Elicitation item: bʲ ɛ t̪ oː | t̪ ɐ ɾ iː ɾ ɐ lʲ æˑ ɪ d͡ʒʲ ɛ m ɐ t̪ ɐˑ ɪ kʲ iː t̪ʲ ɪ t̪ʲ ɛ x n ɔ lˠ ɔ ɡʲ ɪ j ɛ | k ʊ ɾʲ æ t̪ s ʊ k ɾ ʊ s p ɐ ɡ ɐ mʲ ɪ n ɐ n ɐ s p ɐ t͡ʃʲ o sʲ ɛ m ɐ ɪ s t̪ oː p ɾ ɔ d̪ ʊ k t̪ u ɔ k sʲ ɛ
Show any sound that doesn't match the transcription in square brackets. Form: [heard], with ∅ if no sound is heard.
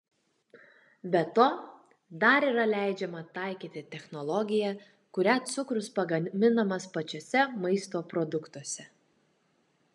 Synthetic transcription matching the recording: bʲ ɛ t̪ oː | [d̪] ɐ ɾ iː ɾ ɐ lʲ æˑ ɪ d͡ʒʲ ɛ m ɐ t̪ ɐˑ ɪ kʲ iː t̪ʲ ɪ t̪ʲ ɛ x n ɔ lˠ ɔ ɡʲ ɪ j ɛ | k ʊ ɾʲ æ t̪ s ʊ k ɾ ʊ s p ɐ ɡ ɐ mʲ ɪ n ɐ [m] ɐ s p ɐ t͡ʃʲ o sʲ ɛ m ɐ ɪ s t̪ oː p ɾ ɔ d̪ ʊ k t̪ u ɔ [∅] sʲ ɛ